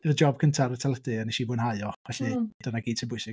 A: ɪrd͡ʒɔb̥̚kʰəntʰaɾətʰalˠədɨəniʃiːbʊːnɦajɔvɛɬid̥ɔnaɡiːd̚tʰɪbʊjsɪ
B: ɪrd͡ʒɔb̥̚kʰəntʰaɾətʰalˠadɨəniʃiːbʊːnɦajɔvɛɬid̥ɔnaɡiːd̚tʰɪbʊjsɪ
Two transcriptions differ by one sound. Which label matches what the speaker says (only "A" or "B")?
A